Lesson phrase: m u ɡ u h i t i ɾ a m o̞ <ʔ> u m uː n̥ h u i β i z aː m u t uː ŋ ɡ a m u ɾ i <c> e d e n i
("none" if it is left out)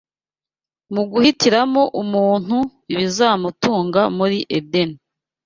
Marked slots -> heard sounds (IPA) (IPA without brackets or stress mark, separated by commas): ʔ, ʔ